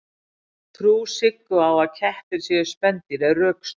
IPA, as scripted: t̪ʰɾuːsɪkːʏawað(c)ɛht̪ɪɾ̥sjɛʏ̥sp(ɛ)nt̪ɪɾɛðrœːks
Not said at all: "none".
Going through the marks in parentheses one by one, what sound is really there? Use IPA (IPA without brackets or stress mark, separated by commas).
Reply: cʰ, ɛ